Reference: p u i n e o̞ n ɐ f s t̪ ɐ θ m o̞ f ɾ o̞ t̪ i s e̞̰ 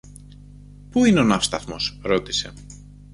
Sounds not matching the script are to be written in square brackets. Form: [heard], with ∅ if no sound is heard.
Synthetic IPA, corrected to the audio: p u i n e o̞ n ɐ f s t̪ ɐ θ m o̞ [s] ɾ o̞ t̪ i s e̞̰